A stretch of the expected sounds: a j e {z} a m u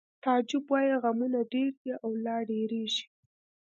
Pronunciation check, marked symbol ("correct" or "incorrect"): incorrect